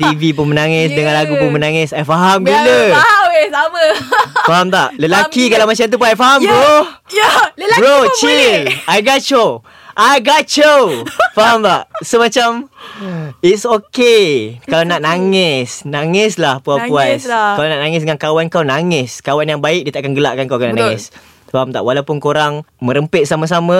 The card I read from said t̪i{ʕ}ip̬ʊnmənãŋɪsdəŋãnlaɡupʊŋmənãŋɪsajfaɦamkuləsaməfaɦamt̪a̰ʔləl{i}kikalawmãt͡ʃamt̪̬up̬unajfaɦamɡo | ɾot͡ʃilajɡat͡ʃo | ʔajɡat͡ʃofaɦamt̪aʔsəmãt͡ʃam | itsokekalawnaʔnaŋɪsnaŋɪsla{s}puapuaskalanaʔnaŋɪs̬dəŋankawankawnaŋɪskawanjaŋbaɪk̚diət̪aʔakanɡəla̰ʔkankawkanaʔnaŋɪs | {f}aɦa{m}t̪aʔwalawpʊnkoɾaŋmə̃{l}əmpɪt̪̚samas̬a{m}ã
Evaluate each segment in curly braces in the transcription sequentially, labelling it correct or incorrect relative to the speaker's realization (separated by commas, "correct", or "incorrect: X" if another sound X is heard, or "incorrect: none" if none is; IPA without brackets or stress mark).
incorrect: v, incorrect: a, incorrect: h, correct, correct, incorrect: ɾ, correct